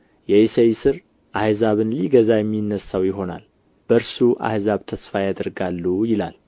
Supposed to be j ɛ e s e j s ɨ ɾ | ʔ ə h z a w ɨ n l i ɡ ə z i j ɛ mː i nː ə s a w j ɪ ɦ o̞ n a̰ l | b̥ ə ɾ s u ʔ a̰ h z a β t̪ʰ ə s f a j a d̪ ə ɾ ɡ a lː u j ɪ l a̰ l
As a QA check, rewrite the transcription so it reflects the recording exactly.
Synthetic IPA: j ɛ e s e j s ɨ ɾ | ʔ a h z a β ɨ n l i ɡ ə z a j ɛ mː i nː ə s a w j ɪ ɦ o̞ n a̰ l | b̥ ə ɾ s u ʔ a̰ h z a β t̪ʰ ə s f a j a d̪ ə ɾ ɡ a lː u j ɪ l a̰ l